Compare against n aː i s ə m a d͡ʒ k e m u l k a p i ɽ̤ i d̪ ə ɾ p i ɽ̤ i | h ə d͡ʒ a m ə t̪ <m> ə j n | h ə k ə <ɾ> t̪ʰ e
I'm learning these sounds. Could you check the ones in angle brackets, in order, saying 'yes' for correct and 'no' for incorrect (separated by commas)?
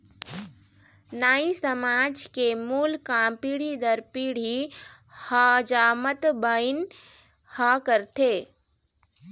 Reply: no, yes